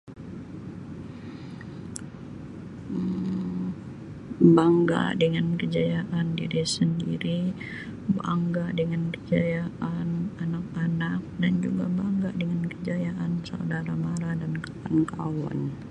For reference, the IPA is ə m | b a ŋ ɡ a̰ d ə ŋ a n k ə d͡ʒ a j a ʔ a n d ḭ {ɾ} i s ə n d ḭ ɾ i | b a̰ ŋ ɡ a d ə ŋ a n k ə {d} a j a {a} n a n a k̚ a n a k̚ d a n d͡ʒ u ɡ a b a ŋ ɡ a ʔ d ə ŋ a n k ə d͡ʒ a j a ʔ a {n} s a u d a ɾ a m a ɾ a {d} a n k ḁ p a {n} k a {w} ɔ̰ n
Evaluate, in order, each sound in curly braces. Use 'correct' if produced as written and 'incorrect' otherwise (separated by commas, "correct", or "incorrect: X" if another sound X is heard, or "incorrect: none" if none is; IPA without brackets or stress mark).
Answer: correct, incorrect: d͡ʒ, correct, correct, correct, correct, correct